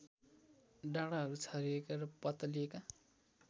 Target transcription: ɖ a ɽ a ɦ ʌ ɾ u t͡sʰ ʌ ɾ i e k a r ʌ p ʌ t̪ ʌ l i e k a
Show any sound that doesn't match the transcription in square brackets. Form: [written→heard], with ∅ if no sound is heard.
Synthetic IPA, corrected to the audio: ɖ a ɽ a ɦ ʌ ɾ u t͡sʰ ʌ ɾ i e k a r ʌ p ʌ t̪ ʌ l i e k a

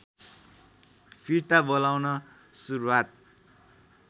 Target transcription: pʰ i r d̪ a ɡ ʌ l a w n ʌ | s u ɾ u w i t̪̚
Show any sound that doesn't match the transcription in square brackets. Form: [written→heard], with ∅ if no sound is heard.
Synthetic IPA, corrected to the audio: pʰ i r [d̪→t̪] a [ɡ→b] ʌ l a w n ʌ | s u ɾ u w [i→a] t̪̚

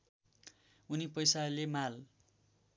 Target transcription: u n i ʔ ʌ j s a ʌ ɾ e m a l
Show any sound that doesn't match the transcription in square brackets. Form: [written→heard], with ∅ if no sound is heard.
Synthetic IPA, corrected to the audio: u n i [ʔ→p] ʌ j s a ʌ [ɾ→l] e m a l

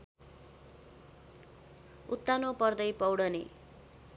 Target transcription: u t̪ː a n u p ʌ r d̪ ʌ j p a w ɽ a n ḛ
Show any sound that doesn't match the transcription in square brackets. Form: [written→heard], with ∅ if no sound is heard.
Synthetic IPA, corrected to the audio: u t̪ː a n [u→o] p ʌ r d̪ ʌ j p [a→ʌ] w ɽ [a→ʌ] n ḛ

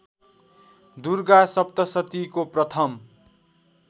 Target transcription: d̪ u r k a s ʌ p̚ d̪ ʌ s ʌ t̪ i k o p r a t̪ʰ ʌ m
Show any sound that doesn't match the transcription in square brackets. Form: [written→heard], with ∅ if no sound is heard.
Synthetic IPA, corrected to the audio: d̪ u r [k→ɡ] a s ʌ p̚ [d̪→t̪] ʌ s ʌ t̪ i k o p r [a→ʌ] t̪ʰ ʌ m

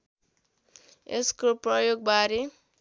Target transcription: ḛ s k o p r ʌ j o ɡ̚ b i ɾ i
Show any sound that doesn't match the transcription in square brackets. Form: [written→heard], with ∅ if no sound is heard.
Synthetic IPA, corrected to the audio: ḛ s k o p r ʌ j o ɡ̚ b [i→a] ɾ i

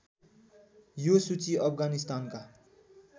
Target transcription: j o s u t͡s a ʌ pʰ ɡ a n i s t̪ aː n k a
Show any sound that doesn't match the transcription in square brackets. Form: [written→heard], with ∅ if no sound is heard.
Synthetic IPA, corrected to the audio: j o s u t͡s [a→i] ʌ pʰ ɡ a n i s t̪ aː n k a

